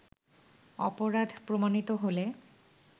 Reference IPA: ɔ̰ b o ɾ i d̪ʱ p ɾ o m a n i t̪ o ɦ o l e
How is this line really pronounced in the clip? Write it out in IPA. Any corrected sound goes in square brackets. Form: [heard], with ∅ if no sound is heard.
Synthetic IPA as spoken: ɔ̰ [p] o ɾ [a] d̪ʱ p ɾ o m a n i t̪ o ɦ o l e